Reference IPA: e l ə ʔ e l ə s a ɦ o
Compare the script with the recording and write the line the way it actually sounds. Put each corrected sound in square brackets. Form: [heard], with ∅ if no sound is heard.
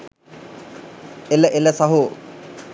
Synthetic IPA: e l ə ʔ e l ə s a ɦ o